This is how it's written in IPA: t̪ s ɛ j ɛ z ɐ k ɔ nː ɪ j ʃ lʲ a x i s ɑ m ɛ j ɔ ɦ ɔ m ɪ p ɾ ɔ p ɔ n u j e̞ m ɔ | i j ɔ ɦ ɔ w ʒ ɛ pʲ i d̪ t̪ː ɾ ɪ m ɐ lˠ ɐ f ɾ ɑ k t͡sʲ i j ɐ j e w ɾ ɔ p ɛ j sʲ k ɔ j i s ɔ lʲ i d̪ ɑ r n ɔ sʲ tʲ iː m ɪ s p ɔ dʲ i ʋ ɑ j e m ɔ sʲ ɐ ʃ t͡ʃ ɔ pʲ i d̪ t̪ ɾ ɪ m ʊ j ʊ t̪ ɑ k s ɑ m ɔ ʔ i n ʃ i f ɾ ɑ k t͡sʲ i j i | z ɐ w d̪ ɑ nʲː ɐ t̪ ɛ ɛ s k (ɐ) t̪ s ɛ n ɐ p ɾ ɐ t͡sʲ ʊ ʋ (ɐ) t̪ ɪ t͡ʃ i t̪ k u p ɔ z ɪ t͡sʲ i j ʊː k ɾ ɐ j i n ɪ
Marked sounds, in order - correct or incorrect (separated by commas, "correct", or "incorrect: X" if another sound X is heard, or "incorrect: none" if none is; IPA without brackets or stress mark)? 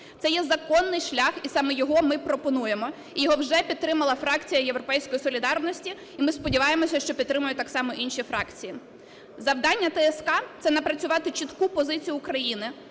incorrect: ɑ, incorrect: ɑ